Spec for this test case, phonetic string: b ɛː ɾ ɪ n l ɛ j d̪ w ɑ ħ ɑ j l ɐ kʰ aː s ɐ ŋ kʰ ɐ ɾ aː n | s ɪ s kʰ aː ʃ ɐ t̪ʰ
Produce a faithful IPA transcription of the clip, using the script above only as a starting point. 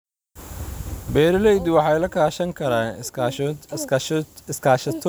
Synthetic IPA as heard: b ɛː ɾ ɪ l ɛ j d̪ w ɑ ħ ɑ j l ɐ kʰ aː ʃ ɐ ŋ kʰ ɐ ɾ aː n | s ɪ s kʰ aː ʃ ɐ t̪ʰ